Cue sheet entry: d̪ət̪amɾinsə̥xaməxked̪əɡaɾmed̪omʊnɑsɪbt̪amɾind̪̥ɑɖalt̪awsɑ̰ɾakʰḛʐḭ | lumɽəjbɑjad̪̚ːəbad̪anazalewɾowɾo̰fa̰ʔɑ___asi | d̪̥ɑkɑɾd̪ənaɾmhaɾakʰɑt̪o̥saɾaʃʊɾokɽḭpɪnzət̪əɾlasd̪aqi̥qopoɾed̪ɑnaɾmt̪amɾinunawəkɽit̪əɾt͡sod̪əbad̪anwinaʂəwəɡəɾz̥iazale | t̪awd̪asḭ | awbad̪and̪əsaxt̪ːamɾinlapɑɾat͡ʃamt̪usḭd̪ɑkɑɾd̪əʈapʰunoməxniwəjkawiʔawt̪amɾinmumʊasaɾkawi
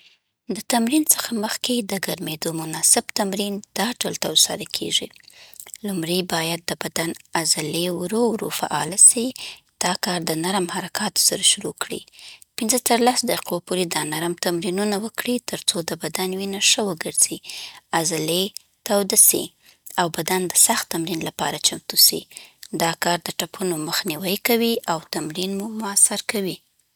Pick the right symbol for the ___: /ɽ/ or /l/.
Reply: l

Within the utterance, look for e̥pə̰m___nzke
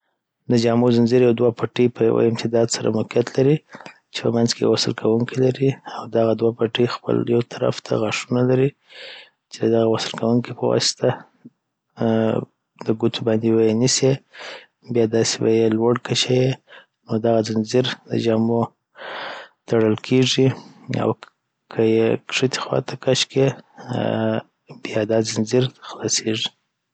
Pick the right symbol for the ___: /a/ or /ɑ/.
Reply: a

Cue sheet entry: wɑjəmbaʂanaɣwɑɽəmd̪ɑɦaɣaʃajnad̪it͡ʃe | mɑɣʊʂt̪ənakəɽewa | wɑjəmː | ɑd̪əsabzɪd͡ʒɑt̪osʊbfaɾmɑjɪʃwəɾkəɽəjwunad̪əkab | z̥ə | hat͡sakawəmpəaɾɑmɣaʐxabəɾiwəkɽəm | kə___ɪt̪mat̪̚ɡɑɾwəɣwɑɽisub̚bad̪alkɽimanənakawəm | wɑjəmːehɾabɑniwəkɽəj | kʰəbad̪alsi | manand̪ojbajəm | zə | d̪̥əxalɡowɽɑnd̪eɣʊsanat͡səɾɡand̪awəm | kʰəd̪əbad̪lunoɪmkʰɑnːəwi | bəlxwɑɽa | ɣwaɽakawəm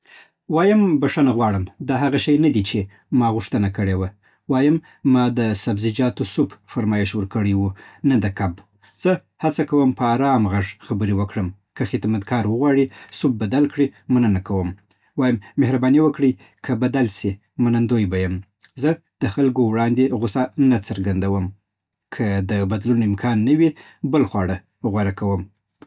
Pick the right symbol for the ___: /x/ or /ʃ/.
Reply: x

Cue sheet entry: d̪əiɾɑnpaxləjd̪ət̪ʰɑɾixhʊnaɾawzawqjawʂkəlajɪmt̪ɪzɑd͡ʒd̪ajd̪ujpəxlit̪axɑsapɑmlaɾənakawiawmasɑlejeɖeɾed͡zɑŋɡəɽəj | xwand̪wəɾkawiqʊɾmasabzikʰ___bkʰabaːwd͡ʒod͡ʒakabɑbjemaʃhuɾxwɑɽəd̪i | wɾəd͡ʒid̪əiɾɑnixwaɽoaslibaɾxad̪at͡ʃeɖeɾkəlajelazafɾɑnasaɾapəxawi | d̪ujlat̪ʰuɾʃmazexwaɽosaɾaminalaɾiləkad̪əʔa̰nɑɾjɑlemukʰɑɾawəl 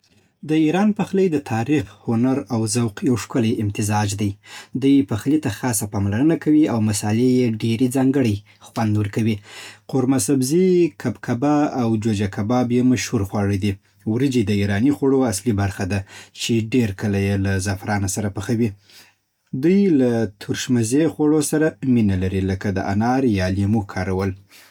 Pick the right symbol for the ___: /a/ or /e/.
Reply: a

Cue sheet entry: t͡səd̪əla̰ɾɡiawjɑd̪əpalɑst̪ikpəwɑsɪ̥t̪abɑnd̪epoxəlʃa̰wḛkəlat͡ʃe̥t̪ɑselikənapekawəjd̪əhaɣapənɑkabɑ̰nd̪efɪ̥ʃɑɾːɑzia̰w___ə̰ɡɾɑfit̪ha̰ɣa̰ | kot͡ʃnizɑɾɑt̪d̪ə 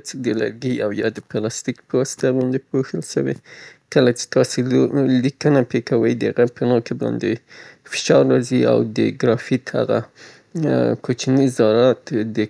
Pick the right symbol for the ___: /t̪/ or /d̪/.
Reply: d̪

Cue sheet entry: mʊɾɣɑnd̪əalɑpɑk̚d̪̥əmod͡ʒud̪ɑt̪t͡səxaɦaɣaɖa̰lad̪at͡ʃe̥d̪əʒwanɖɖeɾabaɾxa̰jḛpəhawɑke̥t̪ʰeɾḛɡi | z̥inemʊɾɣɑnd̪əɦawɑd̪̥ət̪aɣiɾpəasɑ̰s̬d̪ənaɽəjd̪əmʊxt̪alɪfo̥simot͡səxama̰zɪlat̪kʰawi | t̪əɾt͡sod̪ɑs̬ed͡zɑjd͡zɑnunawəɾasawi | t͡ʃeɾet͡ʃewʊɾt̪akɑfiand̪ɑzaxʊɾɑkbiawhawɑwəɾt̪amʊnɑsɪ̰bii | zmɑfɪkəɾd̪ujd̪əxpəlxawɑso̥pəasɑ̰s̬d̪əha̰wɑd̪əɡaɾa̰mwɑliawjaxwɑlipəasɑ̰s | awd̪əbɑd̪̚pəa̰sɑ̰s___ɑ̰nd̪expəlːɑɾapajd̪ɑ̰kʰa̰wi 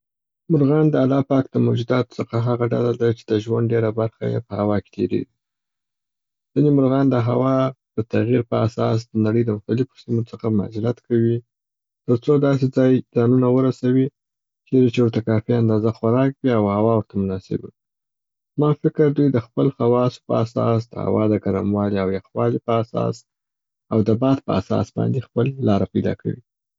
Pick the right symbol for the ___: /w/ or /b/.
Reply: b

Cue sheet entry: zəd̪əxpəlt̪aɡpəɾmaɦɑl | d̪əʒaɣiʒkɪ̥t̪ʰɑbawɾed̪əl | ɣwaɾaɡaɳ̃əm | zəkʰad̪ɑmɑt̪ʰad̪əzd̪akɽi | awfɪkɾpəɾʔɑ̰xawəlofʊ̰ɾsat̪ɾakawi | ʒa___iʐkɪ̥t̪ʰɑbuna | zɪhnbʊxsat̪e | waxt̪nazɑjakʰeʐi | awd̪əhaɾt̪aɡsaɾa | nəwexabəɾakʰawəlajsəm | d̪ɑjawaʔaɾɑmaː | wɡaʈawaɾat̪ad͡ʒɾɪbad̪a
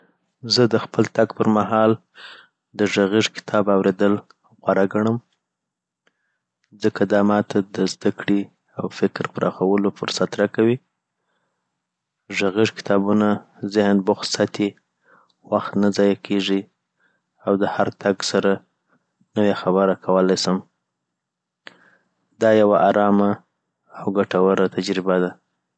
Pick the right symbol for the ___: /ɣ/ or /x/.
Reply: ɣ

